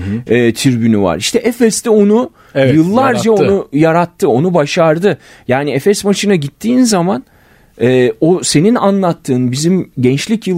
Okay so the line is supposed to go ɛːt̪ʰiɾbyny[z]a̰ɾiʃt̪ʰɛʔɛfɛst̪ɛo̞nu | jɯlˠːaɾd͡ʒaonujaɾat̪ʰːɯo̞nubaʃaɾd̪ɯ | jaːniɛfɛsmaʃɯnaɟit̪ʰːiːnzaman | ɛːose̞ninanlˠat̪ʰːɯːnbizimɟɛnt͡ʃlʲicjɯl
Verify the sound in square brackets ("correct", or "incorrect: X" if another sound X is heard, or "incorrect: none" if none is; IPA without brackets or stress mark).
incorrect: v